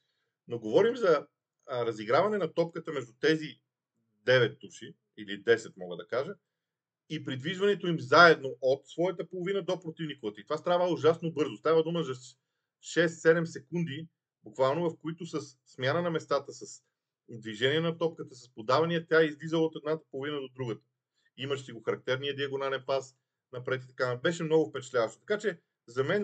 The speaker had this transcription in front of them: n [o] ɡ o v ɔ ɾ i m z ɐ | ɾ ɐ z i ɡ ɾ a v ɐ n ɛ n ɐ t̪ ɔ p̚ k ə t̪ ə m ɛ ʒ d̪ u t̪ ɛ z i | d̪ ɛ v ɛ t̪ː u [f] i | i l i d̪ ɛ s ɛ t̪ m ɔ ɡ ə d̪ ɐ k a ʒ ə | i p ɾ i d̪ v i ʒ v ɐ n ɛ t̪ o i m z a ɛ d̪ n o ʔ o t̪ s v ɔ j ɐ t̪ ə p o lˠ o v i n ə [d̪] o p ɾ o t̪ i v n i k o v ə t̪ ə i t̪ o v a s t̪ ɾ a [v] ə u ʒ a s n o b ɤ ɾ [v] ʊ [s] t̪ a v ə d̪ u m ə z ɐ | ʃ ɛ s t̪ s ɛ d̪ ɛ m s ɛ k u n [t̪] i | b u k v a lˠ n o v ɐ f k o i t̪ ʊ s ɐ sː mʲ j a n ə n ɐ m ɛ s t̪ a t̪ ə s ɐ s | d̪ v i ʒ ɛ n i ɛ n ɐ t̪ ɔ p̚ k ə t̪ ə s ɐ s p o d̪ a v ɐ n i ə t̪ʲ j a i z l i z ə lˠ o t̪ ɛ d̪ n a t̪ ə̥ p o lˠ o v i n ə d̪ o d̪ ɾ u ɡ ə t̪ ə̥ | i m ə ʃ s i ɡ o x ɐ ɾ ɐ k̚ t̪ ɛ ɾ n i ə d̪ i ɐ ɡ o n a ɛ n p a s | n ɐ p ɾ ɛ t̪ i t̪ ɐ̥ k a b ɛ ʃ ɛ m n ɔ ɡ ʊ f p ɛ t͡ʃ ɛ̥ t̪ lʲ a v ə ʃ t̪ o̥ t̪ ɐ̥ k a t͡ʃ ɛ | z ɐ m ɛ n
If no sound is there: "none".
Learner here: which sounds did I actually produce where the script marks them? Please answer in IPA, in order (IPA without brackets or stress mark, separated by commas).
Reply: o, ʃ, d̪, v, z, s, d̪